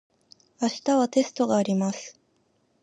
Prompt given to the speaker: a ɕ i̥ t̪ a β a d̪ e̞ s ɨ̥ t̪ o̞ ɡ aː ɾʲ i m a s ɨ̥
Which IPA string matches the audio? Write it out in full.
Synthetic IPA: a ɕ i̥ t̪ a β a t̪ e̞ s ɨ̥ t̪ o̞ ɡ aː ɾʲ i m a s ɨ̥